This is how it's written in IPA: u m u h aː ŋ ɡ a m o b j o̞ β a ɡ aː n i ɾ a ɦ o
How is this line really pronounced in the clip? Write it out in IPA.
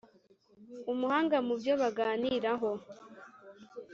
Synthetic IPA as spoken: u m u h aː ŋ ɡ a m u b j o̞ β a ɡ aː n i ɾ a ɦ o